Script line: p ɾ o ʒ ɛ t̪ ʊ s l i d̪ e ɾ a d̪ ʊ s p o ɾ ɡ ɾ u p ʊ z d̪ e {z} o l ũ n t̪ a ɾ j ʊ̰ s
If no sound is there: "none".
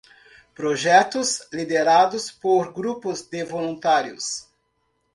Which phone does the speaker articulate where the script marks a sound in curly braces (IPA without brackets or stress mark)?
v